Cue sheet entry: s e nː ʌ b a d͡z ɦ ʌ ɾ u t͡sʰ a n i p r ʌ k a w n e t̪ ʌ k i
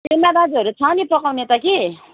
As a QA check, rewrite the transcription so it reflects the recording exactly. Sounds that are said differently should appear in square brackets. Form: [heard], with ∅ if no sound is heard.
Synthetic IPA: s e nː [a] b a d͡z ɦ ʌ ɾ u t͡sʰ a n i p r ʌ k a w n e t̪ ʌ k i